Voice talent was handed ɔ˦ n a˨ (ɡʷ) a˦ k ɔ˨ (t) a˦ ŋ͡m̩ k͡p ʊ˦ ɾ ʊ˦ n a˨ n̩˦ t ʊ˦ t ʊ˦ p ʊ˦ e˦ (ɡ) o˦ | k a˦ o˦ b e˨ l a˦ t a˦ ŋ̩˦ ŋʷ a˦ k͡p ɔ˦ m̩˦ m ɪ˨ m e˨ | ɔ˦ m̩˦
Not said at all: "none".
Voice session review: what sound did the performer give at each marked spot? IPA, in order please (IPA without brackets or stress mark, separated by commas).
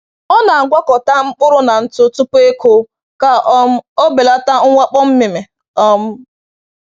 ɡʷ, t, k